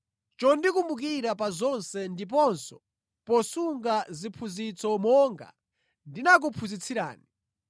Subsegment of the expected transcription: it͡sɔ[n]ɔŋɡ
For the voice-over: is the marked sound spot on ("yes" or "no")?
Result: no